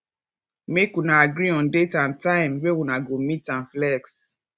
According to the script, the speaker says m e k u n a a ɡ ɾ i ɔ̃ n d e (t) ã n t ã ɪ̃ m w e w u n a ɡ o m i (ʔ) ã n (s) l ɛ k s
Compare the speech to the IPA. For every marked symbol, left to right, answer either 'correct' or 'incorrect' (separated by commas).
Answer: correct, incorrect, incorrect